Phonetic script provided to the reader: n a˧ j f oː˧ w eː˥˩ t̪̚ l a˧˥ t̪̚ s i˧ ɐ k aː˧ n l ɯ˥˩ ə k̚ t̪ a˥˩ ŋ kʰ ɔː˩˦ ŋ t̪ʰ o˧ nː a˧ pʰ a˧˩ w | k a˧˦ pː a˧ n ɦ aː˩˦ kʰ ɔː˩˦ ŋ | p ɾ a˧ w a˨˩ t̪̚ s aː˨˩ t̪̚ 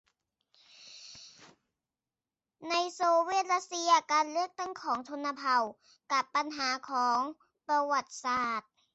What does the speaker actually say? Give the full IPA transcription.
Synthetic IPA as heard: n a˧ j s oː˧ w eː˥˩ t̪̚ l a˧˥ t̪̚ s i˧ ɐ k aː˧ n l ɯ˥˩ ə k̚ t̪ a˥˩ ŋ kʰ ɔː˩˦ ŋ t̪ʰ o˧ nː a˧ pʰ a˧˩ w | k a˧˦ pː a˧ n ɦ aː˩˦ kʰ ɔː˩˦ ŋ | p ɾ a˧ w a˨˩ t̪̚ s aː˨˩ t̪̚